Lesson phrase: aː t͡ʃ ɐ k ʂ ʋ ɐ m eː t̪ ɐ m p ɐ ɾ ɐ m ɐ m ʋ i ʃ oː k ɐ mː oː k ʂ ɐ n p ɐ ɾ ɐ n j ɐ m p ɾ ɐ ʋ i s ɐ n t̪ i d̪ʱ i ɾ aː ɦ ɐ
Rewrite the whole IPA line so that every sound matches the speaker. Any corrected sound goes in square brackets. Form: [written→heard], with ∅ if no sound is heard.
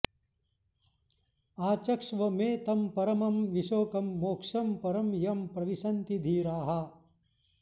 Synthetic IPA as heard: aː t͡ʃ ɐ k ʂ ʋ ɐ m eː t̪ ɐ m p ɐ ɾ ɐ m ɐ m ʋ i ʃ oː k ɐ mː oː k ʂ ɐ [n→m] p ɐ ɾ ɐ [n→m] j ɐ m p ɾ ɐ ʋ i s ɐ n t̪ i d̪ʱ [i→iː] ɾ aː ɦ ɐ